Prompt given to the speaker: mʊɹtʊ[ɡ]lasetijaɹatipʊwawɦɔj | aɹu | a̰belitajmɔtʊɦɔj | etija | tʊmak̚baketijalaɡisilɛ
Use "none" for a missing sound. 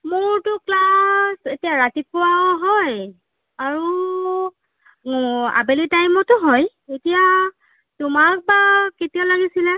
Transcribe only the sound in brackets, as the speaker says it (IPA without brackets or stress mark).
k